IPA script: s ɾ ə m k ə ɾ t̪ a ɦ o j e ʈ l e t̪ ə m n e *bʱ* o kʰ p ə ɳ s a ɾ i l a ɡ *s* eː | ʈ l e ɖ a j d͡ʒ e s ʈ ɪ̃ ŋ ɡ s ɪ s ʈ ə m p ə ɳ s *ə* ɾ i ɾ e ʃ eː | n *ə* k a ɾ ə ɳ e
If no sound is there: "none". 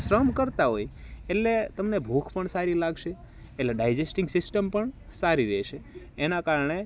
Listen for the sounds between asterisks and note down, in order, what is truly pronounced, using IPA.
bʱ, ʃ, a, a

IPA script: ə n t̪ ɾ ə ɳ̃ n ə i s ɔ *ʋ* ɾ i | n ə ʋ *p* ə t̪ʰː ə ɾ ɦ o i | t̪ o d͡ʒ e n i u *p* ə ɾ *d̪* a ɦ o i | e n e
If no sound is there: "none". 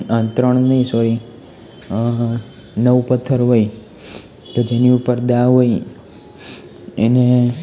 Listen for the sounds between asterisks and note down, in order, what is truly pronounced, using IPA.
none, p, p, d̪

